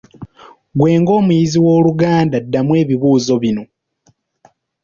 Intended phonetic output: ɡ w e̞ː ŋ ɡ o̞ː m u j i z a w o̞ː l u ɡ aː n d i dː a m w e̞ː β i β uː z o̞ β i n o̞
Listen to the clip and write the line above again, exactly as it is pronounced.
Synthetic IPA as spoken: ɡ w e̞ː ŋ ɡ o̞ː m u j i z i w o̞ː l u ɡ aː n d a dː a m w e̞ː β i β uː z o̞ β i n o̞